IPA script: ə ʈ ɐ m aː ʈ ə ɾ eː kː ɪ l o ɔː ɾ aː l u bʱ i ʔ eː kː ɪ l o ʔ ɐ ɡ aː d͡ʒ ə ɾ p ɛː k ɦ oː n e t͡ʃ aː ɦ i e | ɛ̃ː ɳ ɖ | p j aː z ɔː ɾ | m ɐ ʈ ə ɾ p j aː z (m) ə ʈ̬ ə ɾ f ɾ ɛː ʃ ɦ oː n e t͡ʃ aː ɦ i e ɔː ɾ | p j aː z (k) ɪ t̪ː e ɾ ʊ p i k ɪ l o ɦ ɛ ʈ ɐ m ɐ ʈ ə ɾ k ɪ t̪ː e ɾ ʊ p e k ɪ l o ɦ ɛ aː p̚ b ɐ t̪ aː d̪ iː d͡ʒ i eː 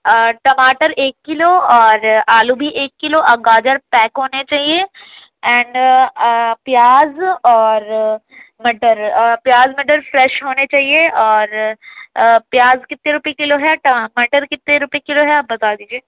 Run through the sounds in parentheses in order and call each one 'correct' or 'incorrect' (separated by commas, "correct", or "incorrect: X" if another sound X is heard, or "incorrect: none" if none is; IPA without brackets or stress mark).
correct, correct